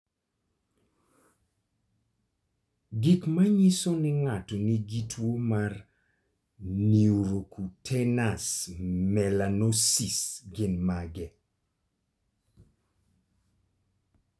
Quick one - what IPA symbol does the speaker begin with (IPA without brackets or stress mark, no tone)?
ɡ